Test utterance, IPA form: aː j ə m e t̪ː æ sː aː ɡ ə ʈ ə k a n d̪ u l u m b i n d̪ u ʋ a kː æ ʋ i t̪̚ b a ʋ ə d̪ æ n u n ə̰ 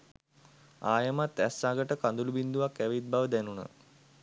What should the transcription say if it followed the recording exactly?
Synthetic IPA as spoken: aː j ə m a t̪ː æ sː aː ɡ ə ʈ ə k a n d̪ u l u b i n d̪ u ʋ a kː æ ʋ i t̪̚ b a ʋ ə d̪ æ n u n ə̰